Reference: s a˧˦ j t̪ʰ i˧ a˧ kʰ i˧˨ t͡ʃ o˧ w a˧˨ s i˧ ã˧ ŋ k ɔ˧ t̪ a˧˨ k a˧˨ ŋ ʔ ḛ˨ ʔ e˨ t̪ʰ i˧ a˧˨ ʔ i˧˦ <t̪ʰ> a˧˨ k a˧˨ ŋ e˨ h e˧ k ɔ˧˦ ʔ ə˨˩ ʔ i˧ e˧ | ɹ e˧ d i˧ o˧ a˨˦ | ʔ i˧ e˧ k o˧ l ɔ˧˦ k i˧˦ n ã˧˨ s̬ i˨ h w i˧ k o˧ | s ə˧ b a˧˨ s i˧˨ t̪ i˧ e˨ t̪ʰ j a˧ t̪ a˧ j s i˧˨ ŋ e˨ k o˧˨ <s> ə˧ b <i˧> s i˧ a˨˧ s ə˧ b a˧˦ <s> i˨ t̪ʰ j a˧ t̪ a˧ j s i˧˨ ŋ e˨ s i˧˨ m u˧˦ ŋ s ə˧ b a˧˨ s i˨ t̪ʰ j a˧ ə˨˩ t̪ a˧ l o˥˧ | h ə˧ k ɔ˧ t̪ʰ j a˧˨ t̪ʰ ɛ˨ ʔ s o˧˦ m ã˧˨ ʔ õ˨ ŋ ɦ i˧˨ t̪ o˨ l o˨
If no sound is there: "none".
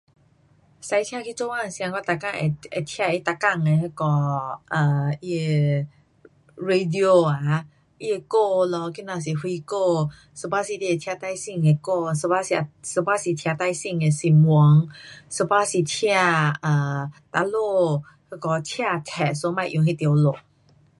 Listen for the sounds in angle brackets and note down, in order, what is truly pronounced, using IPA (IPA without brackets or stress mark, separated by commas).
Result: t̪, s, a˧, s